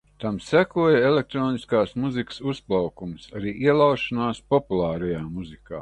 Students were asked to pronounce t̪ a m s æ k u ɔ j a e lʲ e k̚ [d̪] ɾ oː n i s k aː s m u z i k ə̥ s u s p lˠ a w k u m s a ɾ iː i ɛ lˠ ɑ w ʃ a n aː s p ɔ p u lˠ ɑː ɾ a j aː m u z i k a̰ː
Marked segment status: incorrect: t̪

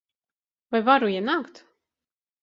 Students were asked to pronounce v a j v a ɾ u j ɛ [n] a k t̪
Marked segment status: correct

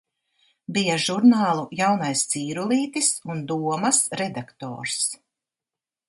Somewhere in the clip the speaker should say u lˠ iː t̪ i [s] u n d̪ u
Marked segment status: correct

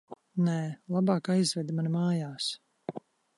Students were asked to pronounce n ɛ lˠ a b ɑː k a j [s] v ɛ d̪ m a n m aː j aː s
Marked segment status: incorrect: z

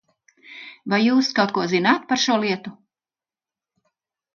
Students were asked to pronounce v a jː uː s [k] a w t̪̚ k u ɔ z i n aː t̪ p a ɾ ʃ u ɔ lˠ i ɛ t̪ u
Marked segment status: correct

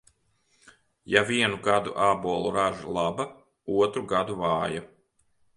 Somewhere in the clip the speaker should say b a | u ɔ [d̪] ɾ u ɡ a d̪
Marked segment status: incorrect: t̪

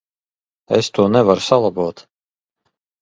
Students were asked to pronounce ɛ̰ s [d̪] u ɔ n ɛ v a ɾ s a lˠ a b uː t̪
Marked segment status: incorrect: t̪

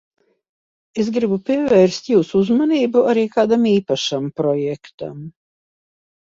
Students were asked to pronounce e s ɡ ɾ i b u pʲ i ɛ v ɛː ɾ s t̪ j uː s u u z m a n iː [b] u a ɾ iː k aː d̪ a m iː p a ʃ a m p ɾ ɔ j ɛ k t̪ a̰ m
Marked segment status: correct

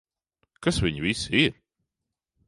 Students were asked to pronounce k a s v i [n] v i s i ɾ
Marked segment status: incorrect: ɲ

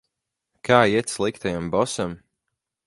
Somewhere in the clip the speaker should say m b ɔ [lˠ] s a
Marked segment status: incorrect: none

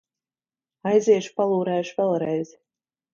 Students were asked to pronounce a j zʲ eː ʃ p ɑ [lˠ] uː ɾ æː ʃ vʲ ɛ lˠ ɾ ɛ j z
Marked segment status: correct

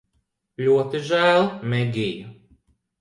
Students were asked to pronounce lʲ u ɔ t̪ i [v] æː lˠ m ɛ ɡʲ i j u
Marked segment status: incorrect: ʒ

